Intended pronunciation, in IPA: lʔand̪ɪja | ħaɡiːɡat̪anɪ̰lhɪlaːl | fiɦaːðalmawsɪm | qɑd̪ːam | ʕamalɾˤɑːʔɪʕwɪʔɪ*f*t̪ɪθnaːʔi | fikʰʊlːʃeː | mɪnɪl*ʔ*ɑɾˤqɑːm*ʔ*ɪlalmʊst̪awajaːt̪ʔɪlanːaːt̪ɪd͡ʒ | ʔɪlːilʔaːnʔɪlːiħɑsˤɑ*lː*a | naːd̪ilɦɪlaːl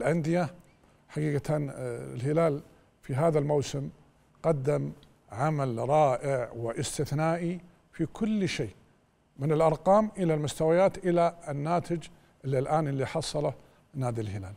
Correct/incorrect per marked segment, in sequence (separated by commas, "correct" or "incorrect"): incorrect, correct, correct, incorrect